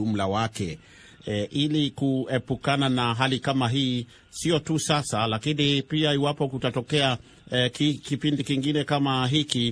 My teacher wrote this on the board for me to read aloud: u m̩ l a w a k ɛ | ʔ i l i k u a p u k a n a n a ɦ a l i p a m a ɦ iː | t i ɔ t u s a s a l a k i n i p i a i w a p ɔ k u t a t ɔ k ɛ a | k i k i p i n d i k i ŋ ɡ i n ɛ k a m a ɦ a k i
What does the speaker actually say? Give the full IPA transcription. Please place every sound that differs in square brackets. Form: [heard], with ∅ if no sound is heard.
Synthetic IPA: u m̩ l a w a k ɛ | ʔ i l i k u [ɛ] p u k a n a n a ɦ a l i [k] a m a ɦ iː | [s] i ɔ t u s a s a l a k i n i p i a i w a p ɔ k u t a t ɔ k ɛ a | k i k i p i n d i k i ŋ ɡ i n ɛ k a m a ɦ [i] k i